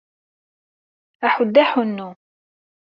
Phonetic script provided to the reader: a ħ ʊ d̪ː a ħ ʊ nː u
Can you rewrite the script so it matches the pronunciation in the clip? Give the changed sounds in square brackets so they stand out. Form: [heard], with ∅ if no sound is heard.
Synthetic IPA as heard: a ħ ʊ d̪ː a ħ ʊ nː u